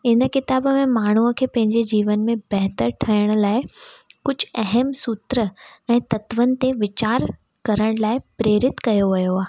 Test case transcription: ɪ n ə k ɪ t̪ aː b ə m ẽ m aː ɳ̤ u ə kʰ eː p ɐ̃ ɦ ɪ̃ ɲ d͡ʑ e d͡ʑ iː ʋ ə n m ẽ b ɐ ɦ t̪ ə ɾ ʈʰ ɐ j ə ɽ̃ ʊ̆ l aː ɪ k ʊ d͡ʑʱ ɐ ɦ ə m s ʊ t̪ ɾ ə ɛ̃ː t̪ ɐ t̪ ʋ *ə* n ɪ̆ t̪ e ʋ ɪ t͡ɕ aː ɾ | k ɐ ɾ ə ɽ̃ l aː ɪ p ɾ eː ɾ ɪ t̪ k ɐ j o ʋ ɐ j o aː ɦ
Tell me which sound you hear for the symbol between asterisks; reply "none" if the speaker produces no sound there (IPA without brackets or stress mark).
ə